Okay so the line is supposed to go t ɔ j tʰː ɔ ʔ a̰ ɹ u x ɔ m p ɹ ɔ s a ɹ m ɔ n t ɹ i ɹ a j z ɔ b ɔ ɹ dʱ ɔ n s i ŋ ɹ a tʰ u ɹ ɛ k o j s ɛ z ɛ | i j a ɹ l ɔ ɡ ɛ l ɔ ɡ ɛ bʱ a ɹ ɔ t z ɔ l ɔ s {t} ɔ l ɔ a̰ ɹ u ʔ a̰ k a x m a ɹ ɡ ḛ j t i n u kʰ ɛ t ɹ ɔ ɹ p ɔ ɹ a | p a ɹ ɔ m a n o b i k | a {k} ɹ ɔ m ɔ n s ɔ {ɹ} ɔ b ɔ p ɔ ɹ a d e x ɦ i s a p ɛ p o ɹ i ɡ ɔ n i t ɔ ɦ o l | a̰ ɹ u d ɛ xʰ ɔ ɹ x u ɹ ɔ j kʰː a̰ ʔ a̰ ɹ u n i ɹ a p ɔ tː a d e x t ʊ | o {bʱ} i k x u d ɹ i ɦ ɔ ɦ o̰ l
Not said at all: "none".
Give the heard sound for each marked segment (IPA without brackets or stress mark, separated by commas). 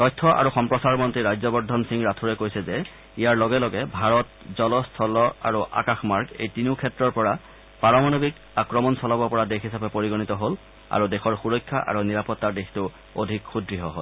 tʰ, k, l, dʱ